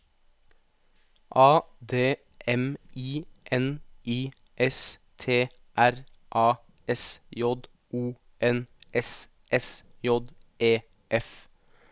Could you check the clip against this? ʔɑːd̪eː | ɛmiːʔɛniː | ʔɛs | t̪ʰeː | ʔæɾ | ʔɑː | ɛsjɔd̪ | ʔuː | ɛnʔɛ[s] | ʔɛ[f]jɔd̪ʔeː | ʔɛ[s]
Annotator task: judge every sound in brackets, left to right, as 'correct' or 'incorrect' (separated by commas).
correct, incorrect, incorrect